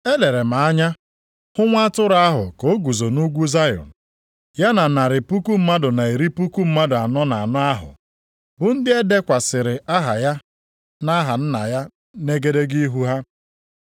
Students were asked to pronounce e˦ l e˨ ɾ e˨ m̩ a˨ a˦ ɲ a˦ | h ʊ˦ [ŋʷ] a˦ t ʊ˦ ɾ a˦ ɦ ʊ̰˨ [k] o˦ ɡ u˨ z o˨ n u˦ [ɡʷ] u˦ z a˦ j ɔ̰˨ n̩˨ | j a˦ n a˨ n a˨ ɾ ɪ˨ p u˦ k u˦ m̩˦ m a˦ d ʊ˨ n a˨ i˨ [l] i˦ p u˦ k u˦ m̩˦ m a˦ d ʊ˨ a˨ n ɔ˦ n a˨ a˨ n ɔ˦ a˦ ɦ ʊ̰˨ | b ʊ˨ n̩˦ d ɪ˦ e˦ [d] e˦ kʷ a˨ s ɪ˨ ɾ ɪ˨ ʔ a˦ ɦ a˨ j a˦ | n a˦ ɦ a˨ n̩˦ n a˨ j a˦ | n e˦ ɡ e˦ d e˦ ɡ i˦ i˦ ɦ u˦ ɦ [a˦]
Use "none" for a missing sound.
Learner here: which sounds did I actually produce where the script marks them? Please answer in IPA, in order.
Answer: ŋʷ, k, ɡʷ, ɾ, d, a˦

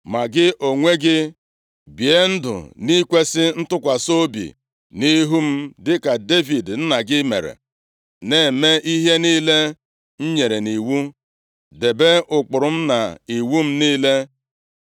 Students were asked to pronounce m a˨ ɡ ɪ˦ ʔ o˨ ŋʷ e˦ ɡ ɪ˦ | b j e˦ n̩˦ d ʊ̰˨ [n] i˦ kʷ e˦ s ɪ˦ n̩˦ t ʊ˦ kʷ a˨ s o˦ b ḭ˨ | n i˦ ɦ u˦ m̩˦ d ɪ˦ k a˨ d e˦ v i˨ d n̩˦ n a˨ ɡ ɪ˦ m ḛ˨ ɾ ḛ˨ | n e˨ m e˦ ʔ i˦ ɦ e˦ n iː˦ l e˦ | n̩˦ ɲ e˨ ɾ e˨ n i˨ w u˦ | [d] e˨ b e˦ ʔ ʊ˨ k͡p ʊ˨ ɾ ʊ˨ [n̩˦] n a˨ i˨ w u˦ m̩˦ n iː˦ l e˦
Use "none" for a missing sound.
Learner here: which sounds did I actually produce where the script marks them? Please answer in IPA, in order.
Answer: n, d, m̩˦

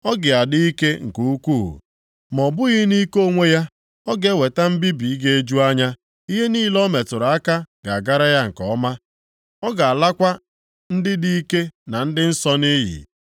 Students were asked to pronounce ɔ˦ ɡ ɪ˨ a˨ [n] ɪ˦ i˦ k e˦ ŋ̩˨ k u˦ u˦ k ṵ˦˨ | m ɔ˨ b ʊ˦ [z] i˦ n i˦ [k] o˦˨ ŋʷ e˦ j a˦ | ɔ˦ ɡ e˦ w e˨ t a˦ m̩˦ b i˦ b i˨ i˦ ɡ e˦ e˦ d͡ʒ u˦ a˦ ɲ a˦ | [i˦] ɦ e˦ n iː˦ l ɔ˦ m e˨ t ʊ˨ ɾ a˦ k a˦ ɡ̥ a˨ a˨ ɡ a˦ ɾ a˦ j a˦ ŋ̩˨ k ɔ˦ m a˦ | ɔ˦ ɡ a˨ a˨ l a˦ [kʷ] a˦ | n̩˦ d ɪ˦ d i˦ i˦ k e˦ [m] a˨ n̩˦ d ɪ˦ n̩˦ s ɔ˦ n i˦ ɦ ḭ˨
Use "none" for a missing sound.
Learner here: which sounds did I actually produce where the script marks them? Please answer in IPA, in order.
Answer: d, ɣ, k, i˦, kʷ, n

